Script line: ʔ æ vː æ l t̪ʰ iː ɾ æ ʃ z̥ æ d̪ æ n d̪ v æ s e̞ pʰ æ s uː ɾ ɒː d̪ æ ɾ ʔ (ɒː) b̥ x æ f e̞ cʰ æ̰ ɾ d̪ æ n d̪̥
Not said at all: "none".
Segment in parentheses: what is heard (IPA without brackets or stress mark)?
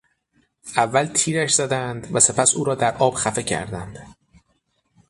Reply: ɒː